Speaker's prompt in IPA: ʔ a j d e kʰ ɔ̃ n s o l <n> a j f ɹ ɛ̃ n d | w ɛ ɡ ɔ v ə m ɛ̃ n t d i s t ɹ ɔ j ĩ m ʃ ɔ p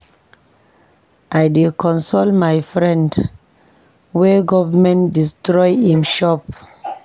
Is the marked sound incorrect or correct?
incorrect